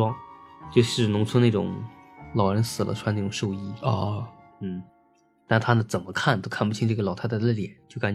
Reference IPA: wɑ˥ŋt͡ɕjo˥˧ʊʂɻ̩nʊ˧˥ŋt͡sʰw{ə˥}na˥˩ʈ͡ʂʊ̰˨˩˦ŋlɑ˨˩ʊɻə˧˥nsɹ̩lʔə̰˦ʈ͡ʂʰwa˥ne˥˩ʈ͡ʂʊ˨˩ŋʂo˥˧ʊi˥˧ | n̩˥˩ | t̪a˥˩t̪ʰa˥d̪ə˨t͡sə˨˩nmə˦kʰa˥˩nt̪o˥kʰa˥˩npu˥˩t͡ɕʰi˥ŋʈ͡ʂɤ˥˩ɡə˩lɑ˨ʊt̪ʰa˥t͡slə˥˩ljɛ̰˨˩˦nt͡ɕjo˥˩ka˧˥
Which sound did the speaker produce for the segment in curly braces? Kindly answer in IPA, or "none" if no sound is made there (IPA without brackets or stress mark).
ə˥